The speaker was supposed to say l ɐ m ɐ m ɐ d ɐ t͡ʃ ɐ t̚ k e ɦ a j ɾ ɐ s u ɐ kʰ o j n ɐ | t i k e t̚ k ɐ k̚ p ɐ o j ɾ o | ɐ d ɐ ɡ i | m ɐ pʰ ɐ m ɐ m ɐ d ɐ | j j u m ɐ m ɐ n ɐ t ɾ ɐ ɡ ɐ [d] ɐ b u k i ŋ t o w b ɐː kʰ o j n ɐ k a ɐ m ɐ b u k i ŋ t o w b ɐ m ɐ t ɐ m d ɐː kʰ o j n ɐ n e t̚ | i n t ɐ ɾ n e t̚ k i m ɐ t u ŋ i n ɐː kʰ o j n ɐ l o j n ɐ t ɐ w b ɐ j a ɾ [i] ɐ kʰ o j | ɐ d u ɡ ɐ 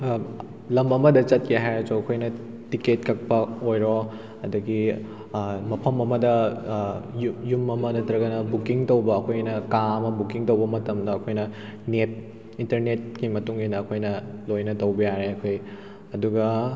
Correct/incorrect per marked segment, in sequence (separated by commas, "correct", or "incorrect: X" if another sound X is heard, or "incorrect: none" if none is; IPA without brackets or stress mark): incorrect: n, incorrect: e